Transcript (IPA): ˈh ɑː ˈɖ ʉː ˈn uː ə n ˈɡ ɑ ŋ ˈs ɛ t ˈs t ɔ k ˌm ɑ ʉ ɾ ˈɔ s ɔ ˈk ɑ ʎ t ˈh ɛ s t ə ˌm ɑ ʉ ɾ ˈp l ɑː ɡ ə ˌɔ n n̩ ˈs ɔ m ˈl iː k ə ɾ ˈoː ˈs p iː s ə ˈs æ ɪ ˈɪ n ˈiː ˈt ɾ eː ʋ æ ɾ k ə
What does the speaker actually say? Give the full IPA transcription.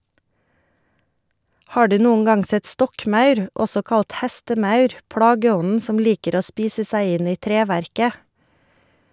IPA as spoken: ˈh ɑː ˈɖ ʉː ˈn uː ə n ˈɡ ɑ ŋ ˈs ɛ t ˈs t ɔ k ˌm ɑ ʉ ɾ ˈɔ s ɔ ˈk ɑ l t ˈh ɛ s t ə ˌm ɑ ʉ ɾ ˈp l ɑː ɡ ə ˌɔ n n̩ ˈs ɔ m ˈl iː k ə ɾ ˈoː ˈs p iː s ə ˈs æ ɪ ˈɪ n ˈiː ˈt ɾ eː ʋ æ ɾ k ə